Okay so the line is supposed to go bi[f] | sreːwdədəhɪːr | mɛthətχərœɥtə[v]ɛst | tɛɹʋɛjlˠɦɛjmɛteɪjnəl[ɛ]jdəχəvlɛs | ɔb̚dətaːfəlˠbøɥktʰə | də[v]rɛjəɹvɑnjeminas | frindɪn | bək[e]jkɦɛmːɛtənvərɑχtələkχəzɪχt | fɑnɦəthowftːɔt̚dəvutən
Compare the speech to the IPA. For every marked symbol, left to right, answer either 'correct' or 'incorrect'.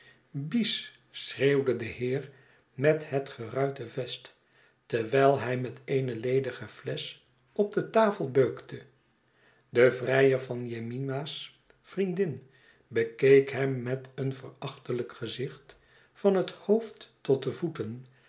incorrect, correct, incorrect, correct, correct

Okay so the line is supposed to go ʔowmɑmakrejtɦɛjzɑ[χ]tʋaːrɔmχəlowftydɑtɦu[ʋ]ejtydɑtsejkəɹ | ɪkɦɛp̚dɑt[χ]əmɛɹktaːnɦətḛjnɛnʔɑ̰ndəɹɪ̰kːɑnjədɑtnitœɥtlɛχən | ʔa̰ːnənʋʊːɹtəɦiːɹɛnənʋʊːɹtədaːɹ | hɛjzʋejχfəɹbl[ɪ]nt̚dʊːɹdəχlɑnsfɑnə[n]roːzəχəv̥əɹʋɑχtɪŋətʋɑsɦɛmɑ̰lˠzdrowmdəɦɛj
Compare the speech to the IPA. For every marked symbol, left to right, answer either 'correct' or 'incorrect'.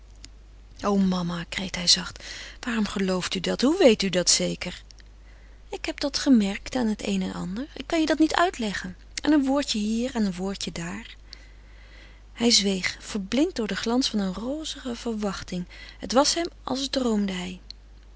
correct, correct, correct, correct, correct

